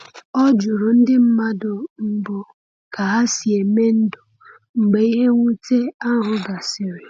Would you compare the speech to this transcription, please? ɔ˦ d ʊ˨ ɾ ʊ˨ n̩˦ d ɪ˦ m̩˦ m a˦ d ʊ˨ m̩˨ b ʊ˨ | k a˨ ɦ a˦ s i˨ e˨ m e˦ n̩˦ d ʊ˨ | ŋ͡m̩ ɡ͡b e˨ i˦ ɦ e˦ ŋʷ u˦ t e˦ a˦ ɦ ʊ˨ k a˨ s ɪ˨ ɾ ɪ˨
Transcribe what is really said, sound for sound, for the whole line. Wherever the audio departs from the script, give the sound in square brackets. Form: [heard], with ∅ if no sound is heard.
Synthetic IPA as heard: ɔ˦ [d͡ʒ] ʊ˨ ɾ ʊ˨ n̩˦ d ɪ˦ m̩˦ m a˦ d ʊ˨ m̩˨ b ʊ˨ | k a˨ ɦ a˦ s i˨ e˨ m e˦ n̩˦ d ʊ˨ | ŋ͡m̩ ɡ͡b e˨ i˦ ɦ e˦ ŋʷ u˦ t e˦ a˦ ɦ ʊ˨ [ɡ] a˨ s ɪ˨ ɾ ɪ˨

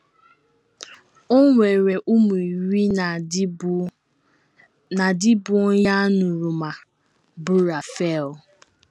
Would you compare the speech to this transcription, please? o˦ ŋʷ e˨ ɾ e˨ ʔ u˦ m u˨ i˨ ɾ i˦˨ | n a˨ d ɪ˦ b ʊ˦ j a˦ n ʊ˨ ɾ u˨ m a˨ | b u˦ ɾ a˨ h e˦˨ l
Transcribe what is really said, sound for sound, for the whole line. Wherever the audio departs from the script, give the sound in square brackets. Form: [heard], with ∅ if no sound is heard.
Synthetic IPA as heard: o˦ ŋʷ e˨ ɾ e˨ ʔ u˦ m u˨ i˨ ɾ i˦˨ | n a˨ d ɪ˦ b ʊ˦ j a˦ n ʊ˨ ɾ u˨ m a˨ | b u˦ ɾ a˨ [f] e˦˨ l

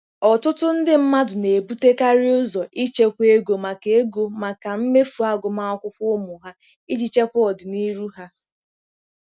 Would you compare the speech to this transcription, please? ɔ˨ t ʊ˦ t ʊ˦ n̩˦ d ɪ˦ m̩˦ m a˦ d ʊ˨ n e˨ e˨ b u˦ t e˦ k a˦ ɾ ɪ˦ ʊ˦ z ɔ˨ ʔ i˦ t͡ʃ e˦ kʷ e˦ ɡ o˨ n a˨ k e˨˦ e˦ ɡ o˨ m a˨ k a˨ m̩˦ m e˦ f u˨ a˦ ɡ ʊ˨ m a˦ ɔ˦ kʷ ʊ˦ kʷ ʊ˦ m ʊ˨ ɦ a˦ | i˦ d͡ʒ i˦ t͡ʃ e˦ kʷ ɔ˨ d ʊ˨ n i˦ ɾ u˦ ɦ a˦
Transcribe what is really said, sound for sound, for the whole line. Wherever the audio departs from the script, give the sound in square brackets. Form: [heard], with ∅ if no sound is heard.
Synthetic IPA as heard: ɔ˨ t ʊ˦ t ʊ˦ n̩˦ d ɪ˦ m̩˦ m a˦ d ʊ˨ n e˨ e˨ b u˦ t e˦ k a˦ ɾ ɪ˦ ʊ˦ z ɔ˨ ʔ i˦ t͡ʃ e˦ kʷ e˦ ɡ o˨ [m] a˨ k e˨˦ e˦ ɡ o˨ m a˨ k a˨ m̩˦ m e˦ f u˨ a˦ ɡ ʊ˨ m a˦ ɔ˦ kʷ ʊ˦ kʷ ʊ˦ m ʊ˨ ɦ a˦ | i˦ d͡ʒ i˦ t͡ʃ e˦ kʷ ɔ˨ d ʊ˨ n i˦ ɾ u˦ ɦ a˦

